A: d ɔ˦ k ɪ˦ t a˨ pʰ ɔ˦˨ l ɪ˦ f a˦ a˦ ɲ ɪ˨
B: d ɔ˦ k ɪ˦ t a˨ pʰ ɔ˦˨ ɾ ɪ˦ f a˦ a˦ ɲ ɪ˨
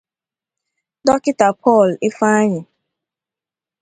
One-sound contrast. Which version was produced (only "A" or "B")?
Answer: A